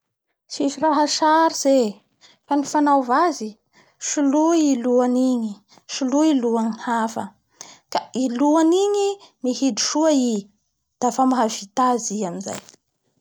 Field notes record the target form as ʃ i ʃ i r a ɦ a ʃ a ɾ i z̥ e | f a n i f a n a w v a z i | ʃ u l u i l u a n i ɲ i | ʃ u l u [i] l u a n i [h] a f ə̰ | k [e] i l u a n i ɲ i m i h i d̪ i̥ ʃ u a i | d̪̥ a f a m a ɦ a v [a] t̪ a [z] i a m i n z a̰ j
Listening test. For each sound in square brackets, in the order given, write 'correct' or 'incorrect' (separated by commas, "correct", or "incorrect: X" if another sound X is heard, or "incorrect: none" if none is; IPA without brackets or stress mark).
correct, correct, incorrect: a, incorrect: i, correct